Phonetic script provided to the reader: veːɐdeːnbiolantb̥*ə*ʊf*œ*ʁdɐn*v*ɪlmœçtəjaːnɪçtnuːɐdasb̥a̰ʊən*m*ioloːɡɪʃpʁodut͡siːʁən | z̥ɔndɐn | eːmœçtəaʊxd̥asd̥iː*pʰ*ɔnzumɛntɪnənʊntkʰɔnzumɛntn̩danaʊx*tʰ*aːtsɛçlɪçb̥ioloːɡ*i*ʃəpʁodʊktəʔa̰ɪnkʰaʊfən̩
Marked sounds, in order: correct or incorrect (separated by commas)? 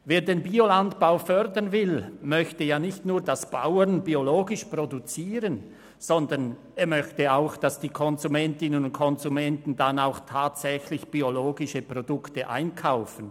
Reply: incorrect, correct, correct, incorrect, incorrect, correct, incorrect